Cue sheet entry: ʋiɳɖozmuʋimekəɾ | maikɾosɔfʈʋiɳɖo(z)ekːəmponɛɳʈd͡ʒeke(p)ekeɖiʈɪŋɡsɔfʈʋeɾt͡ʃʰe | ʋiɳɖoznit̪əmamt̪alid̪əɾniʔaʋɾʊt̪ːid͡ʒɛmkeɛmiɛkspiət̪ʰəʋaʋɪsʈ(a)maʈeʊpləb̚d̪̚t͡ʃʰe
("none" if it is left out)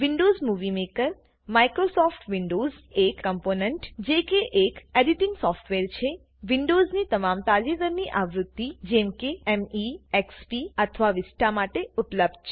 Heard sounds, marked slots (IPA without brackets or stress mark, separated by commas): z, ʔ, a